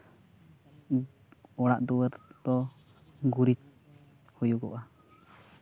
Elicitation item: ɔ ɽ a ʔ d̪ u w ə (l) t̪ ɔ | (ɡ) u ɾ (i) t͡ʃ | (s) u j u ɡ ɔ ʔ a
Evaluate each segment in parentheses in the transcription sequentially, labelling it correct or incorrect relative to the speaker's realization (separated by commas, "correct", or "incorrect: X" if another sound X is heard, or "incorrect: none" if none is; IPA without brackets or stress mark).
incorrect: ɾ, correct, correct, incorrect: h